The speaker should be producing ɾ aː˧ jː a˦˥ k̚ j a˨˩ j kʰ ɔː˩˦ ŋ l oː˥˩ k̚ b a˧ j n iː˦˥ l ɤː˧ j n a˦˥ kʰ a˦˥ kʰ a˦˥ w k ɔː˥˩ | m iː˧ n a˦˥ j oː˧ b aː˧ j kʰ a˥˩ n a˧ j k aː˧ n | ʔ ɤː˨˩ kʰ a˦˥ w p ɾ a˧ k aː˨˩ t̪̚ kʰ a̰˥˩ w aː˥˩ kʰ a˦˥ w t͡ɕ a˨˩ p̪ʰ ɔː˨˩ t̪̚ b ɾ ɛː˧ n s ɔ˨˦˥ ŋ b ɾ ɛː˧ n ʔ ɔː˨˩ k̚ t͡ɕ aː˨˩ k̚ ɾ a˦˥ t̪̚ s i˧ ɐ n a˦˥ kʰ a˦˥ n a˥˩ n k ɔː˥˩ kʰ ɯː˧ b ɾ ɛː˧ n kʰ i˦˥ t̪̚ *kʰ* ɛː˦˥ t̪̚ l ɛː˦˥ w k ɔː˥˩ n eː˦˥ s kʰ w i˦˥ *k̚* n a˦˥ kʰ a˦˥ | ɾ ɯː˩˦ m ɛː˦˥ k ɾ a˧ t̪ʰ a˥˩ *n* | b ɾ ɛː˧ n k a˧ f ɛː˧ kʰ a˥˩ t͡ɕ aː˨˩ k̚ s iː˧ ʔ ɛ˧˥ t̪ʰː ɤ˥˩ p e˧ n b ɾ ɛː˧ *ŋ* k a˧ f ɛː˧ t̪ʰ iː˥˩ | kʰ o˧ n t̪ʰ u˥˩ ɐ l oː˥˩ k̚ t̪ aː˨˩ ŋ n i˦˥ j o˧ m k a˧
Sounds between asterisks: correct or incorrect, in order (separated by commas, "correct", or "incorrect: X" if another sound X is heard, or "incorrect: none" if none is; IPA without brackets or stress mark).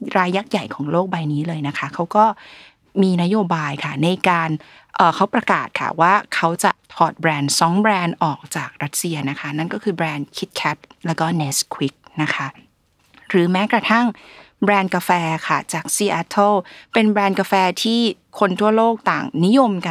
correct, correct, incorrect: ŋ, incorrect: n